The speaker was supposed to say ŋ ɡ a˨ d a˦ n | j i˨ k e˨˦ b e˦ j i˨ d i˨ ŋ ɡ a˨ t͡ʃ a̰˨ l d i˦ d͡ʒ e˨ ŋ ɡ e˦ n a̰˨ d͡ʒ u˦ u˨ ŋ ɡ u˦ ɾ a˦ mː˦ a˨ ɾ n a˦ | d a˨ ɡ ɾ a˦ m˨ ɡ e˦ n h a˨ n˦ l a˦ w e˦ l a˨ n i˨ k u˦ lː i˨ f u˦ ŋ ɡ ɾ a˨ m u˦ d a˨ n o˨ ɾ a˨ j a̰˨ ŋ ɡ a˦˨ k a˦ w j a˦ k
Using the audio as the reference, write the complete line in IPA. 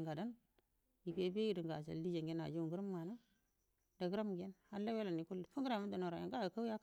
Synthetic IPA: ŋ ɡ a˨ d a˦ n | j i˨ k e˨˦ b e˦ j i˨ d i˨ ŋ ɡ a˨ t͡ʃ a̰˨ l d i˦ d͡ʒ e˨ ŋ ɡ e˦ n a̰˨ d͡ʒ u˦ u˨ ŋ ɡ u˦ ɾ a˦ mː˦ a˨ n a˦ | d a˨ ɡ ɾ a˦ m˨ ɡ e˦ n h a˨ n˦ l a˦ w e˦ l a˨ n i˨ k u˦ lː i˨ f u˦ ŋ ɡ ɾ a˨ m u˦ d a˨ n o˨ ɾ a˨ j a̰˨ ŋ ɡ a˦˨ k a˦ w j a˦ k